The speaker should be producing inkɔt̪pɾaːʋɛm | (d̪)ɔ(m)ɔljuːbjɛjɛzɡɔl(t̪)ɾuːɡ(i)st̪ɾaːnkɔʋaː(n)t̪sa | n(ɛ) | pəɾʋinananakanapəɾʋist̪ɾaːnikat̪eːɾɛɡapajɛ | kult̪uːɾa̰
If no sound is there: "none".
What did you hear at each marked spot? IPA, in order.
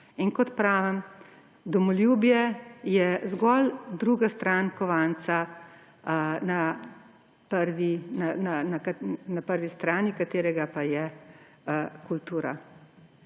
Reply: d̪, m, d̪, a, n, a

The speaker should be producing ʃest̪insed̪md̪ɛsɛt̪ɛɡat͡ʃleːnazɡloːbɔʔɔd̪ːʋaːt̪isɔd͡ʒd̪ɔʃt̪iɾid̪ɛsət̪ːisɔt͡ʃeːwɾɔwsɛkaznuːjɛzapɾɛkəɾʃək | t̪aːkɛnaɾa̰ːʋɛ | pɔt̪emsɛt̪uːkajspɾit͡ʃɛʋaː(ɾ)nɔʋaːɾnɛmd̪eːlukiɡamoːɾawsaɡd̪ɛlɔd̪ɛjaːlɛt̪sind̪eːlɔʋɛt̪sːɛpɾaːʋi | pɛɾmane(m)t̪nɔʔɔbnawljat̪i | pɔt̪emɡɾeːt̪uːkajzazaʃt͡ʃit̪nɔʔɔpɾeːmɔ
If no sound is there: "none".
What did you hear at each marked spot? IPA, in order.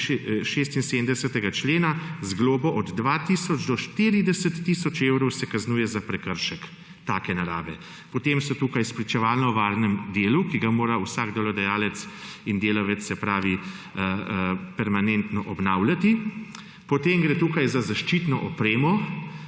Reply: l, n

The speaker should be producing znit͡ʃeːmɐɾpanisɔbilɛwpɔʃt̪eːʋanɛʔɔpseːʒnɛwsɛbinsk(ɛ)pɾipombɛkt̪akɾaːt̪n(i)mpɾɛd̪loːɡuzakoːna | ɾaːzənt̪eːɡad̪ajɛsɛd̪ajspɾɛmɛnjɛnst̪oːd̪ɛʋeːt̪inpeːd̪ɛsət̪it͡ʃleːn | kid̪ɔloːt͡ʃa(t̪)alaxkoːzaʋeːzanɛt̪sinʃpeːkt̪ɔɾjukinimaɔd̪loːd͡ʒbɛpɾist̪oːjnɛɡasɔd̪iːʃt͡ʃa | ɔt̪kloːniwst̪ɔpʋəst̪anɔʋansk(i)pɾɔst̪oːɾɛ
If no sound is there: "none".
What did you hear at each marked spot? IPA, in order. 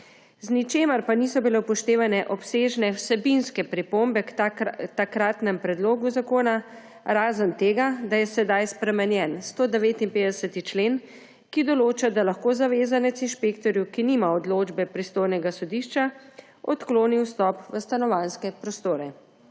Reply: ɛ, ɛ, d̪, ɛ

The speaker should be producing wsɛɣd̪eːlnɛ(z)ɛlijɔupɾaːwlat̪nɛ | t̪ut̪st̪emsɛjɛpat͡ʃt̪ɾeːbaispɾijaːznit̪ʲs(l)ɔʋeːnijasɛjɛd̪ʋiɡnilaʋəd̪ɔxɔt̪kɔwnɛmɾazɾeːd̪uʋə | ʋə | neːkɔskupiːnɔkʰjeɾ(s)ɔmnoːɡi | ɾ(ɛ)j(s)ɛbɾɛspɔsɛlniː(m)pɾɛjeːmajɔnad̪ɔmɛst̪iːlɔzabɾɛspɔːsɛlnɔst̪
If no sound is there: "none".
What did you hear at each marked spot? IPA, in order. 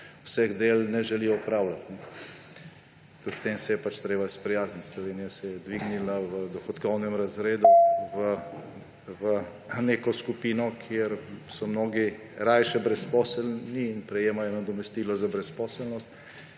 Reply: ʒ, l, s, a, ʃ, n

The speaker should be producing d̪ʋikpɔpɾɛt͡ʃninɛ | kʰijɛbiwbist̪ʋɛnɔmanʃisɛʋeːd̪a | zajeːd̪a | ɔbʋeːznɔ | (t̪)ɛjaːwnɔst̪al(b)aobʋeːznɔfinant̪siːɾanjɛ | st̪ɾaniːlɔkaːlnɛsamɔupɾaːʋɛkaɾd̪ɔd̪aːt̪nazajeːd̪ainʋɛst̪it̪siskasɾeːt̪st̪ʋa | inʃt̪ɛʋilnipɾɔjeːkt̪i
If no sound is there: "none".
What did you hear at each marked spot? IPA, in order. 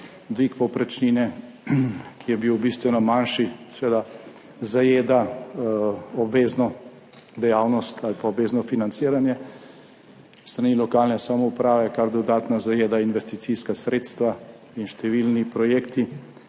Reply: d̪, p

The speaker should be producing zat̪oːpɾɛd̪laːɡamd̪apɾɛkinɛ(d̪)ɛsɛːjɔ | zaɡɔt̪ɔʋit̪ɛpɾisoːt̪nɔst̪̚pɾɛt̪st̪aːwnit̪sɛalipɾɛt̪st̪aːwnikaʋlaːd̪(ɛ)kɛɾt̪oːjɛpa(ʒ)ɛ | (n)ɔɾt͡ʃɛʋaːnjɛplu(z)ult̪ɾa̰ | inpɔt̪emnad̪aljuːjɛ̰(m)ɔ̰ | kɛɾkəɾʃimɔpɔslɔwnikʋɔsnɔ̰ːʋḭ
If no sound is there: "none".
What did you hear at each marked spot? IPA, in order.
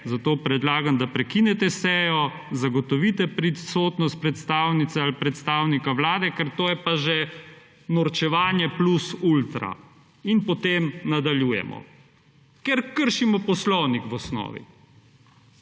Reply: t̪, ɛ, ʒ, n, s, m

